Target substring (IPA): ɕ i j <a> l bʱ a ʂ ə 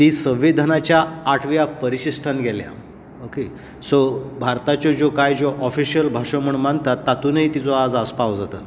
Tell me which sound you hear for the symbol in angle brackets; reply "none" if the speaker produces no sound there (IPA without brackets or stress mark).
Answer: ə